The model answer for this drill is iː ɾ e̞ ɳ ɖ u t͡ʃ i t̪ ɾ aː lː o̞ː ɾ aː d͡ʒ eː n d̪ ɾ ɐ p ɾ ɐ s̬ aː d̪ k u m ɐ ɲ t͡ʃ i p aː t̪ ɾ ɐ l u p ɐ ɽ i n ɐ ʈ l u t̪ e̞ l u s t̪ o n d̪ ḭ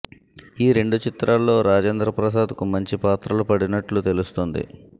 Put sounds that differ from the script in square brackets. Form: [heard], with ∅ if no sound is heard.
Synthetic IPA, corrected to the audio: iː ɾ e̞ ɳ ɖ u t͡ʃ i t̪ ɾ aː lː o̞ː ɾ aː d͡ʒ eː n d̪ ɾ ɐ p ɾ ɐ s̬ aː d̪ k u m ɐ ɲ t͡ʃ i p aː t̪ ɾ ɐ l u p ɐ ɽ i n ɐ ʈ l u t̪ e̞ l u s t̪ o n d̪ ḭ

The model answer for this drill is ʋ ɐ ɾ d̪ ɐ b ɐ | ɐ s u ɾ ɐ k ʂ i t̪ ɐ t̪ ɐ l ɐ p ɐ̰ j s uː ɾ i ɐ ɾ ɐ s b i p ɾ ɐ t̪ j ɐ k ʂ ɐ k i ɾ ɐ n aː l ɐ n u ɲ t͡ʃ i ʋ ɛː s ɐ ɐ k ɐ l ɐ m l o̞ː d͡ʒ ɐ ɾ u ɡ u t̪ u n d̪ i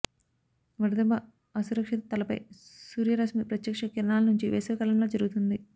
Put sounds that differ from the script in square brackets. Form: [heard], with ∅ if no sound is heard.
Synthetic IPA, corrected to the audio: ʋ ɐ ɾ d̪ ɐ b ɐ | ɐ s u ɾ ɐ k ʂ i t̪ ɐ t̪ ɐ l ɐ p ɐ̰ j s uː ɾ [j] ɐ ɾ ɐ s [m] i p ɾ ɐ t̪ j ɐ k ʂ ɐ k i ɾ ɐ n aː l ɐ n u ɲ t͡ʃ i ʋ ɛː s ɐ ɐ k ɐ l ɐ m l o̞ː d͡ʒ ɐ ɾ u ɡ u t̪ u n d̪ i

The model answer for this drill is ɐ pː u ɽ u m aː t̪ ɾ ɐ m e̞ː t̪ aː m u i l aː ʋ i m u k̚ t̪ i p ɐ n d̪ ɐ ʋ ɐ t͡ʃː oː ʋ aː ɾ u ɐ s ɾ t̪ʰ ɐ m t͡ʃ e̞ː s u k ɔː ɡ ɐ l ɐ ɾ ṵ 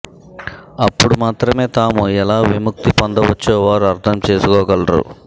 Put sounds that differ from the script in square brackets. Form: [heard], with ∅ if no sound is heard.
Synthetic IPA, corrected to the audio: ɐ pː u ɽ u m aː t̪ ɾ ɐ m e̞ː t̪ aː m u [ɛ] l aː ʋ i m u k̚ t̪ i p ɐ n d̪ ɐ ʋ ɐ t͡ʃː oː ʋ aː ɾ u ɐ [∅] ɾ t̪ʰ ɐ m t͡ʃ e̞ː s u k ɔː ɡ ɐ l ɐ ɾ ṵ

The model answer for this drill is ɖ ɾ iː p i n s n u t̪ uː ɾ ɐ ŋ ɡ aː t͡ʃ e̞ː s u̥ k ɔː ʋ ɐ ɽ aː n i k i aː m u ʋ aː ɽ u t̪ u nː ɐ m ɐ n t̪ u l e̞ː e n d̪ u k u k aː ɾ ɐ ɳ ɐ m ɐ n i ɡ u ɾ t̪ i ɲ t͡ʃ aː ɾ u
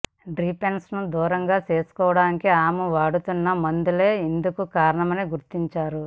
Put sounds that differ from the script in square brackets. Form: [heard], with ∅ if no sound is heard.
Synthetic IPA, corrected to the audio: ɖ ɾ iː p [e] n s n u [d̪] uː ɾ ɐ ŋ ɡ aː t͡ʃ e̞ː s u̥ k ɔː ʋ ɐ ɽ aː n i k i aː m u ʋ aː ɽ u t̪ u nː ɐ m ɐ n [d̪] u l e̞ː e n d̪ u k u k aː ɾ ɐ ɳ ɐ m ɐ n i ɡ u ɾ t̪ i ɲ t͡ʃ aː ɾ u

